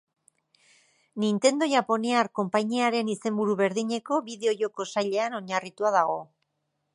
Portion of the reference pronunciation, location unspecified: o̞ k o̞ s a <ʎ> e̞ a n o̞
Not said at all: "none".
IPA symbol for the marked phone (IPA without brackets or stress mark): ʎ